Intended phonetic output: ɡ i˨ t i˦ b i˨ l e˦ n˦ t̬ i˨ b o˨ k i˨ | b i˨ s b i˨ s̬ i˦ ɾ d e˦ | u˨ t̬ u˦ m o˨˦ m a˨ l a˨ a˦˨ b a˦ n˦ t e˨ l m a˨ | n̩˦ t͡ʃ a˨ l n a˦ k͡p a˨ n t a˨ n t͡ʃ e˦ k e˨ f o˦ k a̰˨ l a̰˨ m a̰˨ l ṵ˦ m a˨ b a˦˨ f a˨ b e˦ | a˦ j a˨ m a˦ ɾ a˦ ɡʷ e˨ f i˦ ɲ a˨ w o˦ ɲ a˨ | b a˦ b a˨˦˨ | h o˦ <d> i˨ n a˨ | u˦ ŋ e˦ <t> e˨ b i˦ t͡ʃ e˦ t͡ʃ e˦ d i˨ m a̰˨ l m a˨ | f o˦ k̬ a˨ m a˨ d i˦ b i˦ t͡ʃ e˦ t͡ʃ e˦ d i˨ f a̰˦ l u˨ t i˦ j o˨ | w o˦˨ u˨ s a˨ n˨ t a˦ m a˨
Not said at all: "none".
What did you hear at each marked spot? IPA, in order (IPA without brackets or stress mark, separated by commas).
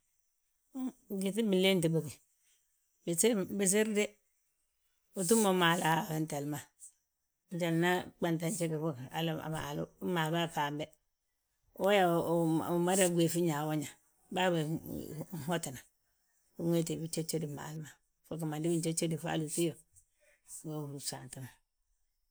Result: t, t